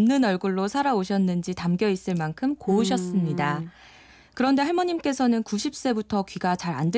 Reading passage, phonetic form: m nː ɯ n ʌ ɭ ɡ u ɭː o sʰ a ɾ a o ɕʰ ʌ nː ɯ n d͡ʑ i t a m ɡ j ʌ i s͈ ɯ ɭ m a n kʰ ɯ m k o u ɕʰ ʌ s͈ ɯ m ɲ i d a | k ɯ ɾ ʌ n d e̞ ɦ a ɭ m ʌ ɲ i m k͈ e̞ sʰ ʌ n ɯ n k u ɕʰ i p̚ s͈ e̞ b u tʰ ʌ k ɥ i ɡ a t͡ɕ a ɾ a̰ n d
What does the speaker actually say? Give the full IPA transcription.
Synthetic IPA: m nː ɯ n ʌ ɭ ɡ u ɭː o sʰ a ɾ a o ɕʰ ʌ nː ɯ n d͡ʑ i t a m ɡ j ʌ i s͈ ɯ ɭ m a n kʰ ɯ m k o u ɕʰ ʌ s͈ ɯ m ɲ i d a | k ɯ ɾ ʌ n d e̞ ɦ a ɭ m ʌ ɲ i m k͈ e̞ sʰ ʌ n ɯ n k u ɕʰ i p̚ s͈ e̞ b u tʰ ʌ k ɥ i ɡ a t͡ɕ a ɾ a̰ n d